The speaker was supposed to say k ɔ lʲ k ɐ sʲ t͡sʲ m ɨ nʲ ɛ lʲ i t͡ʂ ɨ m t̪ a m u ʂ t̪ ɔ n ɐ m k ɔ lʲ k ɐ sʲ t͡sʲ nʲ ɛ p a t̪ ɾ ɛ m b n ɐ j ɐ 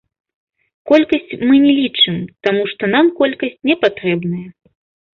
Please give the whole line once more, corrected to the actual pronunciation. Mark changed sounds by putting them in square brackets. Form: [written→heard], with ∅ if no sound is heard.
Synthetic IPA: k ɔ lʲ k ɐ sʲ t͡sʲ m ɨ nʲ ɛ lʲ i t͡ʂ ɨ m t̪ a m u ʂ t̪ ɔ n [ɐ→a] m k ɔ lʲ k ɐ sʲ t͡sʲ nʲ ɛ p a t̪ ɾ ɛ [m→∅] b n ɐ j ɐ